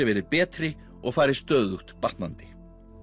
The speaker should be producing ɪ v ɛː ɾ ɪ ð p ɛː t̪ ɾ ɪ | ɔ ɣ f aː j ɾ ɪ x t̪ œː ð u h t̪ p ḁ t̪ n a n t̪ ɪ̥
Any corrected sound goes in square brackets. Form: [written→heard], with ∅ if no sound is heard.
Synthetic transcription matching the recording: ɪ v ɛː ɾ ɪ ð p ɛː t̪ ɾ ɪ | ɔ ɣ f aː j ɾ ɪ [x→s] t̪ œː ð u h t̪ p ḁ t̪ n a n t̪ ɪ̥